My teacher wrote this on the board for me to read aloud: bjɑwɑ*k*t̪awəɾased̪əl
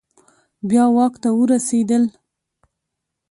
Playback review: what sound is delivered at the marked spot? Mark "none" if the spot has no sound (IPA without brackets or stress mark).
k